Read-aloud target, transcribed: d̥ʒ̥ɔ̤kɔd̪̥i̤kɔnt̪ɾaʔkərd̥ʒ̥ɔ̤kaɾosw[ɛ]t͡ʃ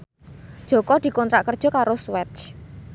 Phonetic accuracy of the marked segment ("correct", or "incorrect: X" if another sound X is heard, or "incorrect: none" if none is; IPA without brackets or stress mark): correct